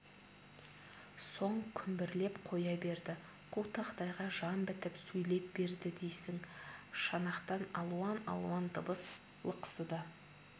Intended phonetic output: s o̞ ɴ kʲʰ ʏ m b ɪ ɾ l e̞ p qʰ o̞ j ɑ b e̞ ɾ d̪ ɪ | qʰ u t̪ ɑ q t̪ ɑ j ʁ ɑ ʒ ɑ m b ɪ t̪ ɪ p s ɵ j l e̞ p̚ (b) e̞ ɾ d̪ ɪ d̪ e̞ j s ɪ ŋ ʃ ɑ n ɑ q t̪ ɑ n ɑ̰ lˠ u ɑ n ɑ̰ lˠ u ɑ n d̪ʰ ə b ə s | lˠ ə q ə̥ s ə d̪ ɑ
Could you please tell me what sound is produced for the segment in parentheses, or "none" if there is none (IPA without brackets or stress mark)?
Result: b